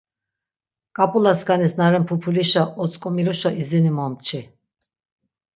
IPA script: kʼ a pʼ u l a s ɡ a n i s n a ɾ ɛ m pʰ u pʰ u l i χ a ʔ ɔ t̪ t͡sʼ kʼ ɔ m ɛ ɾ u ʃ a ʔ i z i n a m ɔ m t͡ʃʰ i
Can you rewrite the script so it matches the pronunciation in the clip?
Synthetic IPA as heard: kʼ a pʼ u l a s ɡ a n i s n a ɾ ɛ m pʰ u pʰ u l i ʃ a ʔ ɔ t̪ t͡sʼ kʼ ɔ m i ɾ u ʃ a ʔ i z i n i m ɔ m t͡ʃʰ i